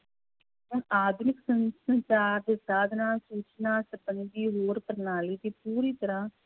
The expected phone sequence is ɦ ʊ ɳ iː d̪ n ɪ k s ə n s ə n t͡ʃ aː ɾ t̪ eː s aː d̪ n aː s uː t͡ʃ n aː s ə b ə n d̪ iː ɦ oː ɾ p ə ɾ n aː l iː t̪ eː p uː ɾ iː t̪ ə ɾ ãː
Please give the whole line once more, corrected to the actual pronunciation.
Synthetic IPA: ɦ ʊ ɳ aː d̪ n ɪ k s ə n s ə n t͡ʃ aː ɾ d̪ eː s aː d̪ n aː s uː t͡ʃ n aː s ə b ə n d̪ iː ɦ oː ɾ p ə ɾ n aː l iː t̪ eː p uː ɾ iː t̪ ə ɾ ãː